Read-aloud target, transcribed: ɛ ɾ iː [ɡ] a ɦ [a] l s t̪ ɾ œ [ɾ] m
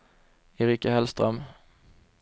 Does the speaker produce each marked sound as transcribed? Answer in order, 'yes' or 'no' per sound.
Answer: no, no, no

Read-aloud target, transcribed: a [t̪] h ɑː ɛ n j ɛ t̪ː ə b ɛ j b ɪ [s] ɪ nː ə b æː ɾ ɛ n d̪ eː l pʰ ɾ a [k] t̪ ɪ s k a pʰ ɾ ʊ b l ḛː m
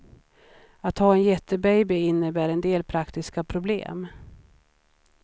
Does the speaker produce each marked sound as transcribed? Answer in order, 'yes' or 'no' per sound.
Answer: yes, no, yes

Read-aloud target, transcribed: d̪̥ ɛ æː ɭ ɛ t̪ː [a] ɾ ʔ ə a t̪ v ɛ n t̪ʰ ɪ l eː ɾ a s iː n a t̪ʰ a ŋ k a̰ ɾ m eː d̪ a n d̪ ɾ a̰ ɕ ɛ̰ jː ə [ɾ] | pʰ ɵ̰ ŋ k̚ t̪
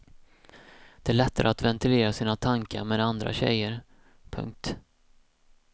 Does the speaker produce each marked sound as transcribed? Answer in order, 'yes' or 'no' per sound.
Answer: yes, yes

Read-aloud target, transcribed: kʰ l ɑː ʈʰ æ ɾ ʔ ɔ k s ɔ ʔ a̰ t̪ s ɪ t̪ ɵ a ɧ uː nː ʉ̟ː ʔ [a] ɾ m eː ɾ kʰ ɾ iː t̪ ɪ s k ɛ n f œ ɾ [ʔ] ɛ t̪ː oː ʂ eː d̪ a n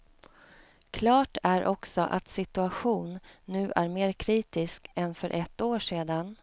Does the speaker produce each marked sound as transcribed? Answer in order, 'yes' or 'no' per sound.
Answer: no, yes

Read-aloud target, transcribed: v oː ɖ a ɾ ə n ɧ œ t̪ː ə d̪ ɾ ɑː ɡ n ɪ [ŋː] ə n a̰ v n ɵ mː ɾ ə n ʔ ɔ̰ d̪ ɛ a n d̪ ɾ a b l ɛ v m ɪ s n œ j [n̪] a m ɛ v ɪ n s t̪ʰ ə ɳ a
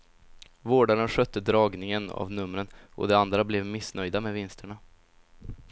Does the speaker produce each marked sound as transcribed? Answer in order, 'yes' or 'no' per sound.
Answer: no, no

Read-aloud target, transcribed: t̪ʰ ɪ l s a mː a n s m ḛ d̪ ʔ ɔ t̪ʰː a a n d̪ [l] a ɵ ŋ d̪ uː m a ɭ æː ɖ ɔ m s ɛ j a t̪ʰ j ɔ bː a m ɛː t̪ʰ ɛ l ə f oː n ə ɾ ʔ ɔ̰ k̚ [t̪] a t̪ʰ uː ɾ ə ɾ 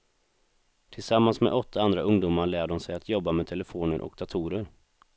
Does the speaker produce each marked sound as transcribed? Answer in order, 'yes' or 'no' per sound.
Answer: no, no

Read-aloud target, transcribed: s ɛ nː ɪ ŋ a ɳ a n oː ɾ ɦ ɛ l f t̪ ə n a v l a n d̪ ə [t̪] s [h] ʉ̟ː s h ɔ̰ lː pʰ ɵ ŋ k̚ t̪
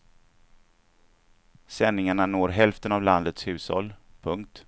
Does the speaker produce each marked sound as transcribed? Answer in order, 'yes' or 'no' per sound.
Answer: yes, yes

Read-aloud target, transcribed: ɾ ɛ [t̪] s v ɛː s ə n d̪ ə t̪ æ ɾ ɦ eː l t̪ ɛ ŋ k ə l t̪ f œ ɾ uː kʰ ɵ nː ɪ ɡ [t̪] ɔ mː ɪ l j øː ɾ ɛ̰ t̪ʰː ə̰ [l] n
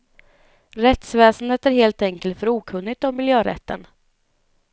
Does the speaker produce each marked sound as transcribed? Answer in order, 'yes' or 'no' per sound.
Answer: yes, yes, no

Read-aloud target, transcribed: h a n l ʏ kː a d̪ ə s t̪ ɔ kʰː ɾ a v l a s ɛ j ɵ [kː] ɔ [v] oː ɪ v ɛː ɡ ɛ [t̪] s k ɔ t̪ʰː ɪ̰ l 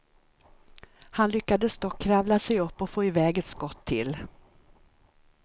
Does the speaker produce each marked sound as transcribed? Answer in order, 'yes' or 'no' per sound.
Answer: no, no, yes

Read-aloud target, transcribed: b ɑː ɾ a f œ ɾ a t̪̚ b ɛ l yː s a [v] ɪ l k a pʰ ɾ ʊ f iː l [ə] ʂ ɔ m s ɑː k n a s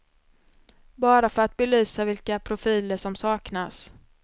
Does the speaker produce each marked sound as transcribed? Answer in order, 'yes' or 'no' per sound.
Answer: yes, yes

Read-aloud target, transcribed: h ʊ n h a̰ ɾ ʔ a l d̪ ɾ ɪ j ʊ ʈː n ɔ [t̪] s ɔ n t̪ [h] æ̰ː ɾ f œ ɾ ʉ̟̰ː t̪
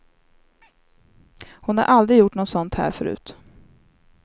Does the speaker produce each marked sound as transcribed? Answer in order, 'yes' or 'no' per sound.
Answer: yes, yes

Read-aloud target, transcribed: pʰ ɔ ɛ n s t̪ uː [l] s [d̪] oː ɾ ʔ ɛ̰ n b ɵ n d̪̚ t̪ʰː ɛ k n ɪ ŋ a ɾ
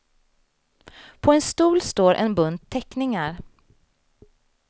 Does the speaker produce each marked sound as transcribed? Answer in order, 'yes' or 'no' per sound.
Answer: yes, no

